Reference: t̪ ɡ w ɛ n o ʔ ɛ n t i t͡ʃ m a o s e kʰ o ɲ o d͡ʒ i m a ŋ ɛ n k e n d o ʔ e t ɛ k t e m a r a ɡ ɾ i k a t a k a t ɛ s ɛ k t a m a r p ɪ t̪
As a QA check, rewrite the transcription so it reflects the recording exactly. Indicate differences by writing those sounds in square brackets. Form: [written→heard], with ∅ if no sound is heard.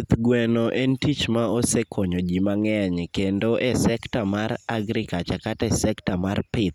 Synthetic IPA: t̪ ɡ w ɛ n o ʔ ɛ n t i t͡ʃ m a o s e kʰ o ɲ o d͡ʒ i m a ŋ ɛ [n→ɲ] k e n d o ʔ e [t→s] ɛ k t [e→a] m a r a ɡ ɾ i k a [t→t͡ʃ] a k a t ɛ s ɛ k t a m a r p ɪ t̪